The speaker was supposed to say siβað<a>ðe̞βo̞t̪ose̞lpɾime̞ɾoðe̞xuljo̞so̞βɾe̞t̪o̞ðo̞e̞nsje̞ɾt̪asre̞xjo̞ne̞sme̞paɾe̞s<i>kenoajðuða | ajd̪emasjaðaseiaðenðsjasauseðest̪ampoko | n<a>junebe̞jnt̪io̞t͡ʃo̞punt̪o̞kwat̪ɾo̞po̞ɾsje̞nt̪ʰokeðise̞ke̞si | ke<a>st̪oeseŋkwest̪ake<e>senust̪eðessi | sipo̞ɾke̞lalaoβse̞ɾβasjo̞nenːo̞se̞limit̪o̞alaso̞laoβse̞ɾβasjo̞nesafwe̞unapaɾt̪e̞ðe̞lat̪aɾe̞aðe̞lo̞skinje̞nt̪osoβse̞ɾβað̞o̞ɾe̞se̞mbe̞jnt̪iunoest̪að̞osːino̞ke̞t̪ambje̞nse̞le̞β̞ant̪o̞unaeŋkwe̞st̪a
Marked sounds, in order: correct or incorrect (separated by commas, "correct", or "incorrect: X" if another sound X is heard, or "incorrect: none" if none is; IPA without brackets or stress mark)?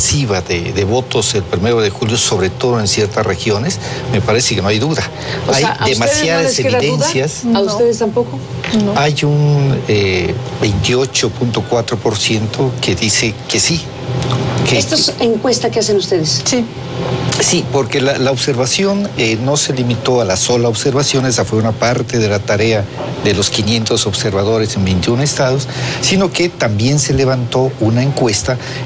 incorrect: e, incorrect: e, correct, incorrect: e, incorrect: a